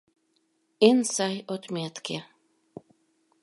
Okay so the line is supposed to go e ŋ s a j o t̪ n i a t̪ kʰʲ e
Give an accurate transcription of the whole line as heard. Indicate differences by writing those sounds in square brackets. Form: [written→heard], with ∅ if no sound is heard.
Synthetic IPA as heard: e [ŋ→n] s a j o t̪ [n→m] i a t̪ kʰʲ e